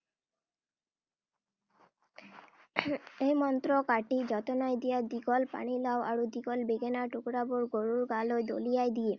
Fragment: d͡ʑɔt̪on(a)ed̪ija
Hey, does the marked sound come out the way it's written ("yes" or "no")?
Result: yes